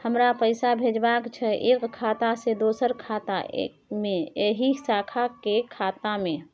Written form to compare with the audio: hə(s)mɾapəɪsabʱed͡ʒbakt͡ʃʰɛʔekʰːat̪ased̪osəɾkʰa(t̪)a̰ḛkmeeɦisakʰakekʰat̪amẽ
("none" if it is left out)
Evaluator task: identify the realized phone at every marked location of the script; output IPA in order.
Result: none, t̪

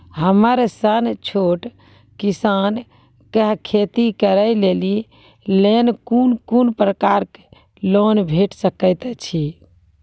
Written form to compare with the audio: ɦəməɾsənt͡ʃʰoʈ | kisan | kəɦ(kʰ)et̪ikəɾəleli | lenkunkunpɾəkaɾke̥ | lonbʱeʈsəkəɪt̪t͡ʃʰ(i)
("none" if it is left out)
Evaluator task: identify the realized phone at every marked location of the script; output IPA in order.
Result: kʰ, i

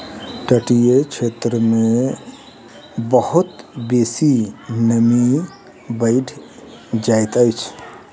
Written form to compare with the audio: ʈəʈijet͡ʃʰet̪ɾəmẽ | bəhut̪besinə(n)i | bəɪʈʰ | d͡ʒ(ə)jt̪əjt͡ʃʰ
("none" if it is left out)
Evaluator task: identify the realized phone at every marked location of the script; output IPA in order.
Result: m, a

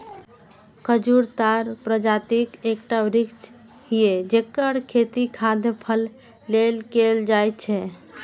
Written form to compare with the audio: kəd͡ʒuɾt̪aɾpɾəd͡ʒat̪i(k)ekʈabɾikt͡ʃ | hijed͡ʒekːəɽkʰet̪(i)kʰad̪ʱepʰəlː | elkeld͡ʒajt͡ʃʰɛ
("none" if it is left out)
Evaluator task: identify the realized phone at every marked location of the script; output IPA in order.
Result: k, i

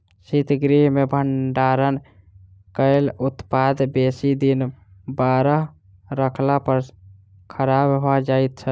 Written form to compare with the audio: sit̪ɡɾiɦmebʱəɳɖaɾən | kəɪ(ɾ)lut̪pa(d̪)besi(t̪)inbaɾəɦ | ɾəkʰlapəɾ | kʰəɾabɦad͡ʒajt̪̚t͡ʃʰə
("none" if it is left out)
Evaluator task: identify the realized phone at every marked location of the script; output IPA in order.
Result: none, d̪, d̪

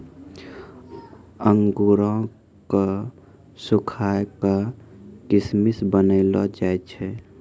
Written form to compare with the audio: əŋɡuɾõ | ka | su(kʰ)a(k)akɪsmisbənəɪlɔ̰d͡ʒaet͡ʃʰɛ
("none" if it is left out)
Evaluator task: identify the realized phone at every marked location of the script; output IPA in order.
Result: kʰ, k

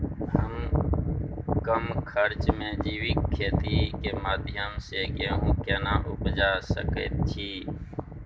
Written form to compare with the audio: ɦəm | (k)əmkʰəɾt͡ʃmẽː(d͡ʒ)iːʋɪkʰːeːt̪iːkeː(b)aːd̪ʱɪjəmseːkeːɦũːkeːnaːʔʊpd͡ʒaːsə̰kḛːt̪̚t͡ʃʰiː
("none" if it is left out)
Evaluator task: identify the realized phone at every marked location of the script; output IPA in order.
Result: k, d͡ʒ, m

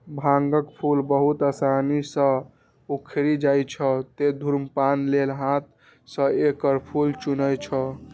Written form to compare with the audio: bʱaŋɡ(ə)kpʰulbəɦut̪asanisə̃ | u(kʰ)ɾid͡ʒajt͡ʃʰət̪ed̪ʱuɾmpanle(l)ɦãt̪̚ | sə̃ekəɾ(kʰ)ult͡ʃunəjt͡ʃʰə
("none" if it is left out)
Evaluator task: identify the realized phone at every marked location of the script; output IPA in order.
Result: ə, kʰ, l, pʰ

